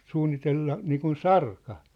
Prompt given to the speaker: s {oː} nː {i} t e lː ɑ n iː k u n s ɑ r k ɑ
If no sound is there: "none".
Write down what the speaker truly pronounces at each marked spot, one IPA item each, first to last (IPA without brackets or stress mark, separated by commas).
uː, i